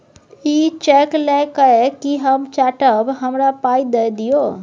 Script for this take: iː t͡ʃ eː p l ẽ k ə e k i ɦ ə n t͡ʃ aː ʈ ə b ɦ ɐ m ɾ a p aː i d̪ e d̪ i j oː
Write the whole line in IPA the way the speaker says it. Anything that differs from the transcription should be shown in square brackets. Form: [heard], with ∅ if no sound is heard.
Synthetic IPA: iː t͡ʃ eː [k] l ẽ k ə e k i ɦ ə [m] t͡ʃ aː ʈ ə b ɦ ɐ m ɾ a p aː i d̪ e d̪ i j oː